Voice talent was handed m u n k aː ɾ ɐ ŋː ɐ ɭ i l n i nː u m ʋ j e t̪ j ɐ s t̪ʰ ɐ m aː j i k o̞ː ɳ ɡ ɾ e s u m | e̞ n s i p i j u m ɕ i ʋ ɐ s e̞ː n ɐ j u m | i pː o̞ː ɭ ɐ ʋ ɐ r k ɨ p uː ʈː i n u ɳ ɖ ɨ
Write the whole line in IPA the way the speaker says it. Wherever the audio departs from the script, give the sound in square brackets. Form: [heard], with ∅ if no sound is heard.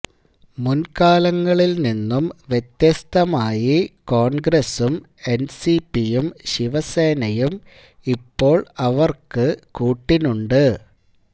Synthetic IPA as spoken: m u n k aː [l] ɐ ŋː ɐ ɭ i l n i nː u m ʋ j e t̪ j ɐ s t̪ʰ ɐ m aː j i k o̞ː ɳ ɡ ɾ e s u m | e̞ n s i p i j u m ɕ i ʋ ɐ s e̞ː n ɐ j u m | i pː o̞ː ɭ ɐ ʋ ɐ r k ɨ [k] uː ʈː i n u ɳ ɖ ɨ